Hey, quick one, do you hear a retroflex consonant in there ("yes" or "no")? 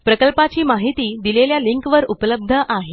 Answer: no